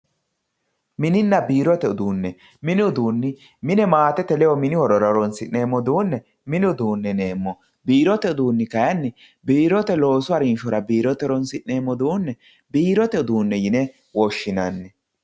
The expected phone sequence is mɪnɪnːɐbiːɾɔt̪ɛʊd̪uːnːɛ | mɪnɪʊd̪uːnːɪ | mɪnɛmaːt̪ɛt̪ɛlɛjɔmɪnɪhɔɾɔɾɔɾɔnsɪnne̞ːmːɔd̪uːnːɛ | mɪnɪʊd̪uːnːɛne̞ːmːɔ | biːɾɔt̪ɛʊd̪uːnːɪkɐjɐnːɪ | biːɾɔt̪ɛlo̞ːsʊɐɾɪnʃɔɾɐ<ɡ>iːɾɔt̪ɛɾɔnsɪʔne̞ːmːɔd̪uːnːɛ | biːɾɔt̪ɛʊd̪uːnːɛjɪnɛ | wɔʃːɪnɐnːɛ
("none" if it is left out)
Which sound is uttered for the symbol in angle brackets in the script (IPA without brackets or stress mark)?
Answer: b